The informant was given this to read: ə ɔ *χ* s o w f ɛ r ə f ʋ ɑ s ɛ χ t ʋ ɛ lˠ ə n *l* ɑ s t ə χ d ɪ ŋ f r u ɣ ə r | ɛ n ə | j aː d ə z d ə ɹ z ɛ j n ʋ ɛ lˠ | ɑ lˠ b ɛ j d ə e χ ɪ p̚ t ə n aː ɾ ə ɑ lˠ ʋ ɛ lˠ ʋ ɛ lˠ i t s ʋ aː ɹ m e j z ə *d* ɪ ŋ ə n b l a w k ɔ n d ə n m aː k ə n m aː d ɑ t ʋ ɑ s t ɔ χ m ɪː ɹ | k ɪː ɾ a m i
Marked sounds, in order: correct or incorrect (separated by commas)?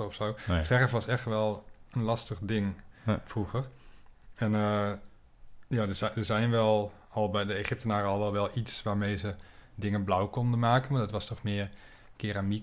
incorrect, correct, correct